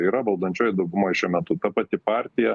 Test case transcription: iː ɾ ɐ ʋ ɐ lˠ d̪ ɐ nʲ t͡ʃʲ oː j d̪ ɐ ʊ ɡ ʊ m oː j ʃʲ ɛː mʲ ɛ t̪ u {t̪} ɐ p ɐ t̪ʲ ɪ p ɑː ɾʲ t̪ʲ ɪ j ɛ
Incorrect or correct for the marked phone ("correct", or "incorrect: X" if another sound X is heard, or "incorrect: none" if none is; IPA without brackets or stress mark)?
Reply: correct